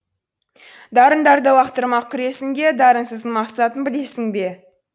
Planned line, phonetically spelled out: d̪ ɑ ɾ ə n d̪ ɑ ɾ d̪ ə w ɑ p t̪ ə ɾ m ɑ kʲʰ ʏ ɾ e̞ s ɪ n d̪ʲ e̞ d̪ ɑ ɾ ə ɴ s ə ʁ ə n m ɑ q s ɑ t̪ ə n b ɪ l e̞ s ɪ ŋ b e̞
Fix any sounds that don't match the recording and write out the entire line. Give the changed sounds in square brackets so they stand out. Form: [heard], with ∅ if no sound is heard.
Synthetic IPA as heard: d̪ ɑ ɾ ə n d̪ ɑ ɾ d̪ ə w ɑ [q] t̪ ə ɾ m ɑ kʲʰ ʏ ɾ e̞ s ɪ [ŋ] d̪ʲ e̞ d̪ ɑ ɾ ə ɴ s ə [z] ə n m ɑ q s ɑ t̪ ə n b ɪ l e̞ s ɪ ŋ b e̞